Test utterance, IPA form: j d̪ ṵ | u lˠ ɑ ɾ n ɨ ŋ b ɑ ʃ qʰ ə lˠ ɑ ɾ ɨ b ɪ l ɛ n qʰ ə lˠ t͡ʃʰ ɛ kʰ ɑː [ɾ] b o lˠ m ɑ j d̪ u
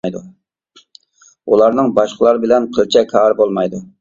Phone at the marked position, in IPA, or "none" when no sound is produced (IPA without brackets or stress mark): ɾ